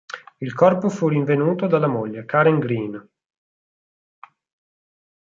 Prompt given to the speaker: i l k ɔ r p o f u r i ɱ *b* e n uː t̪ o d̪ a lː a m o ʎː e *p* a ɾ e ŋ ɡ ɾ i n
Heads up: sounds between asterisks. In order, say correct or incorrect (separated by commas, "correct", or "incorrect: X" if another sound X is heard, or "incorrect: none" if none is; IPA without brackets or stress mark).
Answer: incorrect: v, incorrect: k